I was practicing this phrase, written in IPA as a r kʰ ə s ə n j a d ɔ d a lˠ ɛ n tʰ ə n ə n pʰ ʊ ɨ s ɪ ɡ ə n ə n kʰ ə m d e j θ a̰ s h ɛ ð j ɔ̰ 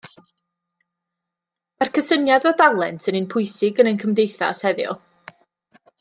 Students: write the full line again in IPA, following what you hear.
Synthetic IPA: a r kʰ ə s ə n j a d ɔ d a lˠ ɛ n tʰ ə n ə n pʰ ʊ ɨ s ɪ ɡ ə n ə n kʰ ə m d e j θ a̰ s h ɛ ð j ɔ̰